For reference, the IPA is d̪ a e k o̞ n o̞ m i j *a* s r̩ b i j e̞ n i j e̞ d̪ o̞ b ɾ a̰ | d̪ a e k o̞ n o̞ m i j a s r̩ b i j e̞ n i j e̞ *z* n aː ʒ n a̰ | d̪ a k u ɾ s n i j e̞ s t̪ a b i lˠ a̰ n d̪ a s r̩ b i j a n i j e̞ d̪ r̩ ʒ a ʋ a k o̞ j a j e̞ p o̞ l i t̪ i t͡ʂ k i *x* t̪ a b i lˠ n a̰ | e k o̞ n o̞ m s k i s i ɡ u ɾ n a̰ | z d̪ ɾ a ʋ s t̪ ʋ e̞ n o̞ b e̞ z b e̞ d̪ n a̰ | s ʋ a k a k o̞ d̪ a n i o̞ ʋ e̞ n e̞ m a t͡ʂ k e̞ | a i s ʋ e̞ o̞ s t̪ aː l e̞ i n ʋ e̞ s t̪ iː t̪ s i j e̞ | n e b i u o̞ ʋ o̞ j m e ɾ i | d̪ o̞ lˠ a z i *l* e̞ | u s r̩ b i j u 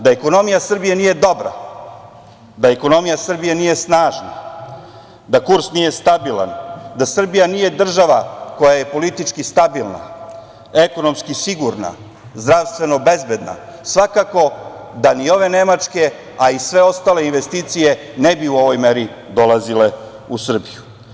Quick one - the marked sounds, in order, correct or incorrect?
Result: correct, incorrect: s, incorrect: s, correct

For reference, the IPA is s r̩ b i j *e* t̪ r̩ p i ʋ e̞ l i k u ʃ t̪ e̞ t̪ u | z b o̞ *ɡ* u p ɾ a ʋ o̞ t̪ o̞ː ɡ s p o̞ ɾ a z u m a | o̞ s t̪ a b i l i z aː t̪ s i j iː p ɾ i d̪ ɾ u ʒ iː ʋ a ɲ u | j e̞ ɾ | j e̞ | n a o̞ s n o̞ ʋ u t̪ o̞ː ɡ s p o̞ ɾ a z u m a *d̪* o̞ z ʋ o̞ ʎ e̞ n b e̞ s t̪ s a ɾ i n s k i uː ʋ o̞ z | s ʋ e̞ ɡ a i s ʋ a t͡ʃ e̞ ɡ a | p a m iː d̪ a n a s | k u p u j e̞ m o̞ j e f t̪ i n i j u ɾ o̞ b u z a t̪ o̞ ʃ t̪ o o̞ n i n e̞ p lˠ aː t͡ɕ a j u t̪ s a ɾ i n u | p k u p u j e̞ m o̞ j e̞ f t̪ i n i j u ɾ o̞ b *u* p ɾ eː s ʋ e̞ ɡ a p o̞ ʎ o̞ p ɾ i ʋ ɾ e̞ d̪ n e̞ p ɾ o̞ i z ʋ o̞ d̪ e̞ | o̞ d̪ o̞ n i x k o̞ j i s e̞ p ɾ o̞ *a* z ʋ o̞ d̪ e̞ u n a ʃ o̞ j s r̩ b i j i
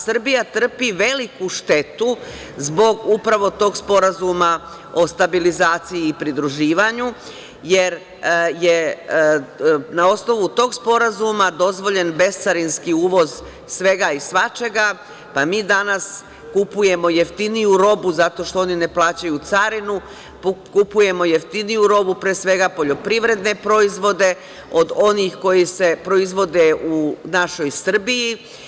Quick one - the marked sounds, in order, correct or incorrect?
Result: incorrect: a, correct, correct, correct, incorrect: i

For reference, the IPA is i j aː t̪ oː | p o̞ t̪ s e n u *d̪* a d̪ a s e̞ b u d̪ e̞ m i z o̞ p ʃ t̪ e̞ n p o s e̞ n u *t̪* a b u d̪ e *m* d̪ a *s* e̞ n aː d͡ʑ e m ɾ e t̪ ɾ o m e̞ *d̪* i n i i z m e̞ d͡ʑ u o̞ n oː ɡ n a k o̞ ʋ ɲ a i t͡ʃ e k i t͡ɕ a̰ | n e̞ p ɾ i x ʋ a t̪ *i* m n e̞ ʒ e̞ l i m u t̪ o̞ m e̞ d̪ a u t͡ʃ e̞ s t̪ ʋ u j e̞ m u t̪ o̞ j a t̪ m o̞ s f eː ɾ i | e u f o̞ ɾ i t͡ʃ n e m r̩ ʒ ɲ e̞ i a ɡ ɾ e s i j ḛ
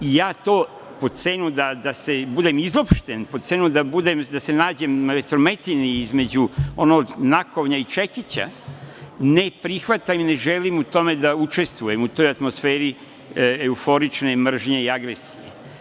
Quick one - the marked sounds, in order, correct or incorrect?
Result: correct, incorrect: d̪, correct, correct, incorrect: t̪, incorrect: a

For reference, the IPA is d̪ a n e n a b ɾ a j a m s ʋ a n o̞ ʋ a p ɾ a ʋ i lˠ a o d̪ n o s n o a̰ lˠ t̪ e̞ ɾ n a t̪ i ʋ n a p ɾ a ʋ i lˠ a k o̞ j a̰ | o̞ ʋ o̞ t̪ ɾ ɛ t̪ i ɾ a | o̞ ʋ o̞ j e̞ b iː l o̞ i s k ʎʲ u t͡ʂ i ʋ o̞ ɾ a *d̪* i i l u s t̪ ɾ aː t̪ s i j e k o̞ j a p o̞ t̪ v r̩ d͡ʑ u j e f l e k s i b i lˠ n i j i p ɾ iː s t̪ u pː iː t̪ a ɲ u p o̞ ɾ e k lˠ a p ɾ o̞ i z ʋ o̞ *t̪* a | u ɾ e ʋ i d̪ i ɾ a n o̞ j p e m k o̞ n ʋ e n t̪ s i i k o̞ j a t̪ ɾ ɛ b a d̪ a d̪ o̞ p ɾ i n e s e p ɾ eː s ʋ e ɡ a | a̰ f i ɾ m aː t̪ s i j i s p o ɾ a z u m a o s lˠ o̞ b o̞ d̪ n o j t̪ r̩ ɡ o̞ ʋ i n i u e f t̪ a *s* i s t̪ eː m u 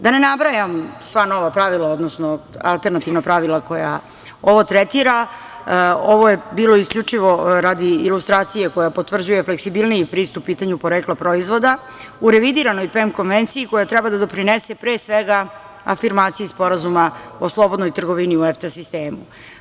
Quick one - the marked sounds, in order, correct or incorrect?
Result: correct, incorrect: d̪, correct

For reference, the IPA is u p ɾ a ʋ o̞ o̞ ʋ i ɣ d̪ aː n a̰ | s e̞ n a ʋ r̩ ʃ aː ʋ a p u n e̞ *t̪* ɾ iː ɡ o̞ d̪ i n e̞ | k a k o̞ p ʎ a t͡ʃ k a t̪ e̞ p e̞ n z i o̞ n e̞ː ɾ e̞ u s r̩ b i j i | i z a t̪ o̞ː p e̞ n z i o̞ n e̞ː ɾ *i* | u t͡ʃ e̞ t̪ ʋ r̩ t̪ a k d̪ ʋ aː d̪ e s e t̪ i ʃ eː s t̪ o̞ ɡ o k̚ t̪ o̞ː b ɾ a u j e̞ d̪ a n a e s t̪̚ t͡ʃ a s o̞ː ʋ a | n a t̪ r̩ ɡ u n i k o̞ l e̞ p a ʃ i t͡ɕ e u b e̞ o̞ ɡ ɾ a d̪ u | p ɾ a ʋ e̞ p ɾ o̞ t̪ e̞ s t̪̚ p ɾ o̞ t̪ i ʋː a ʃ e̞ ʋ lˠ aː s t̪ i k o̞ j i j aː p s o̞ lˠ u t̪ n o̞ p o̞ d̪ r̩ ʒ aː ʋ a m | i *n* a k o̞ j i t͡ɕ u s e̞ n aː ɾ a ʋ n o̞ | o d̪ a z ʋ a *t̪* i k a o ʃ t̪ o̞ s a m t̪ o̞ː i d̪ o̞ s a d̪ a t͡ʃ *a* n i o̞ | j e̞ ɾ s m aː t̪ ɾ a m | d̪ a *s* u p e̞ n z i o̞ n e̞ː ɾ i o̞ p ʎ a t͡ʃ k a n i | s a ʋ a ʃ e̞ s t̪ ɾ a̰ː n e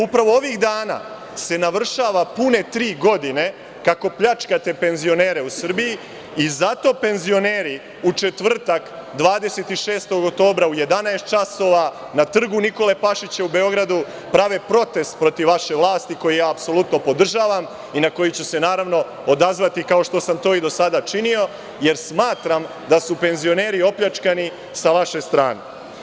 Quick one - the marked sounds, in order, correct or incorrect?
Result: correct, correct, correct, correct, incorrect: i, correct

